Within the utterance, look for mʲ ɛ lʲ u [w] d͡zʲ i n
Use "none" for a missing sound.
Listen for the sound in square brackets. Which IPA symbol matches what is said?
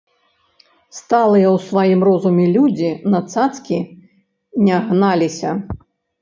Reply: none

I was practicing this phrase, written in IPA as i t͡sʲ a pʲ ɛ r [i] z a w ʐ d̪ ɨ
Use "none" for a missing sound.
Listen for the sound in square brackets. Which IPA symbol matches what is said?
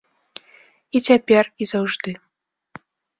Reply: i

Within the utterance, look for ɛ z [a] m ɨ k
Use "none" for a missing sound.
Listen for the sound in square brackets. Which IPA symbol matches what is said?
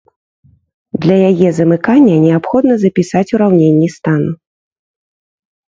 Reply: ɐ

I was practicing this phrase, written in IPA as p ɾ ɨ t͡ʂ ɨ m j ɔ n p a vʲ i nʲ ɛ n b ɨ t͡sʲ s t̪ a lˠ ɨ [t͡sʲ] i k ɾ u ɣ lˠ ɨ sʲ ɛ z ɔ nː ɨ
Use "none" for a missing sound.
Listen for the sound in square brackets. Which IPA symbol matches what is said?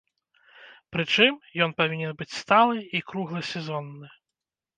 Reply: none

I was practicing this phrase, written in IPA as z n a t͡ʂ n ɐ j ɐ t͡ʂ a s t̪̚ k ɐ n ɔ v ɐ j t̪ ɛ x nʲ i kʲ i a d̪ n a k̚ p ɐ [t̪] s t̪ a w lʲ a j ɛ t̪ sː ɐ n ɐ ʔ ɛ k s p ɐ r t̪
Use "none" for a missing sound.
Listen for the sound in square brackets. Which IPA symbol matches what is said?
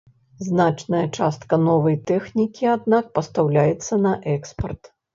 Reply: none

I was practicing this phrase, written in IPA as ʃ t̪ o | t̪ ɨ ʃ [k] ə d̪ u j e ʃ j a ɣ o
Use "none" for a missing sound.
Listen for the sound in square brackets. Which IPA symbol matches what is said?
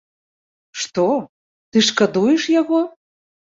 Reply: k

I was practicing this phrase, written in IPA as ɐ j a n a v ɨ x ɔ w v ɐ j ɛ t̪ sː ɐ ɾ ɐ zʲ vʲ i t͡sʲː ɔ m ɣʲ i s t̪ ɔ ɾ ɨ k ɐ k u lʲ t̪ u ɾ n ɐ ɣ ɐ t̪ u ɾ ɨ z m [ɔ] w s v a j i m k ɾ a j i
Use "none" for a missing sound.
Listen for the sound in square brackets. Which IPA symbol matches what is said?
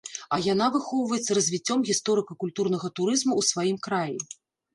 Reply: u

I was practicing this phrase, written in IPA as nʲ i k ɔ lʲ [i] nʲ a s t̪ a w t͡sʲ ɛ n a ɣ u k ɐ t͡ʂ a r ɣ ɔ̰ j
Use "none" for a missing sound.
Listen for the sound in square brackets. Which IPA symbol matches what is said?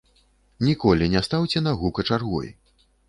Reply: i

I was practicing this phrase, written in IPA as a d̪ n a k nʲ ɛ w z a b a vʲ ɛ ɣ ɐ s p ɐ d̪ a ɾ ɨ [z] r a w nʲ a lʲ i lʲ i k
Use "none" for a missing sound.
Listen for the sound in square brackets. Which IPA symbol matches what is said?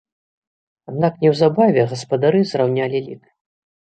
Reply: z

